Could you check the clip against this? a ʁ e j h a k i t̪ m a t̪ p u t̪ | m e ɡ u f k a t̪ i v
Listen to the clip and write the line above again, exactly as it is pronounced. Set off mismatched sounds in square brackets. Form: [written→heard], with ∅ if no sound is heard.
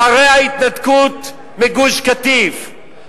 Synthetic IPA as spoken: a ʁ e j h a [k→∅] i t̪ [m→n] a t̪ [p→k] u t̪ | m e ɡ u [f→ʃ] k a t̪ i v